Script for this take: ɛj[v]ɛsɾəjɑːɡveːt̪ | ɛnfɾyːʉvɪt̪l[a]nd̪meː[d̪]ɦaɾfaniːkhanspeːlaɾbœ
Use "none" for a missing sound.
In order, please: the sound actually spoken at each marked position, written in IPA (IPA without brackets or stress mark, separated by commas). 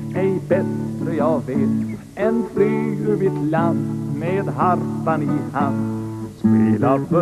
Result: b, a, d̪